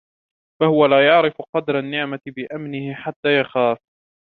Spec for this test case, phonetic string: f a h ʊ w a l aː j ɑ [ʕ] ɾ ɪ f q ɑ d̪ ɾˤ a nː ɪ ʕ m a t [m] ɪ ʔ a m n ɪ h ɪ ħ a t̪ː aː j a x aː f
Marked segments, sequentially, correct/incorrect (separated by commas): correct, incorrect